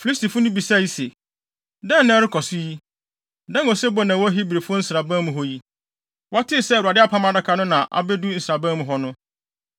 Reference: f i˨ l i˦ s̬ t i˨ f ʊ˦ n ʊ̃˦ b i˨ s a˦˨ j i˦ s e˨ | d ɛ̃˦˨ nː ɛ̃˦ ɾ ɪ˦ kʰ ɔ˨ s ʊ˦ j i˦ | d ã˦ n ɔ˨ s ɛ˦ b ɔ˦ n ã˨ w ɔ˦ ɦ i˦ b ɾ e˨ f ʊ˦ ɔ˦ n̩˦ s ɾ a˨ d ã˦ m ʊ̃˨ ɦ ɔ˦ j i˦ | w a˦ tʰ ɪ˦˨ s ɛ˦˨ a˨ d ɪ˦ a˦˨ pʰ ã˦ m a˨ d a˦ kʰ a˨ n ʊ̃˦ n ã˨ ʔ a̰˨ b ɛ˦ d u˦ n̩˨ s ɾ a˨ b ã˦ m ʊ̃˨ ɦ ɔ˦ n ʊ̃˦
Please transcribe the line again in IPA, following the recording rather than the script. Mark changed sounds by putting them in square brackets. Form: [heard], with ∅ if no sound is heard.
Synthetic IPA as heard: f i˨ l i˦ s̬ t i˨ f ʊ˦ n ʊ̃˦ b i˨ s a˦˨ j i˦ s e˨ | d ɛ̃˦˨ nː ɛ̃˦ ɾ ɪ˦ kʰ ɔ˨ s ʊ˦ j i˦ | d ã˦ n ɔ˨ s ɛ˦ b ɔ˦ n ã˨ w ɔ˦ ɦ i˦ b ɾ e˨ f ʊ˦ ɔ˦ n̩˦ s ɾ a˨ [b] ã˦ m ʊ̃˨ ɦ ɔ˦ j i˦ | w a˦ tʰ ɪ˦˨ s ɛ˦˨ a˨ d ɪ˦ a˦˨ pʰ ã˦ m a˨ d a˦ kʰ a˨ n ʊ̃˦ n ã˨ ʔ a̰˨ b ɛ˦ d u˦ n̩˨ s ɾ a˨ b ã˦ m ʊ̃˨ ɦ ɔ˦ n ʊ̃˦